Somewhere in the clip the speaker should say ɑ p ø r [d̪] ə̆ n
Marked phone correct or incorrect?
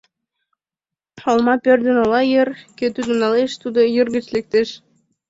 correct